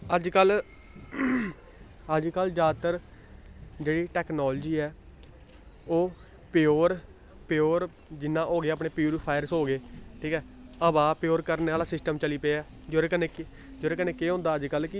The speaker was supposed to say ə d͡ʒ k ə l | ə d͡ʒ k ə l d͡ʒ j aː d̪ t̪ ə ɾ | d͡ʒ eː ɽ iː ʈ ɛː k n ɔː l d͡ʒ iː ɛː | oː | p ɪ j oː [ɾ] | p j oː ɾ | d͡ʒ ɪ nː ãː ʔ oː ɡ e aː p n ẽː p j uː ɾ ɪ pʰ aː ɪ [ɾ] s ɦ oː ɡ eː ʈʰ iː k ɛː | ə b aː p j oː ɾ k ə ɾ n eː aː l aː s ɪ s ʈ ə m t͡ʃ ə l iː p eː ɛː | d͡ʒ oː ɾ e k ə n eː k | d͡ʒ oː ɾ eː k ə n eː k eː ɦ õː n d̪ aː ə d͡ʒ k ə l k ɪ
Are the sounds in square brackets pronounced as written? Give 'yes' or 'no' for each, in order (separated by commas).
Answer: yes, yes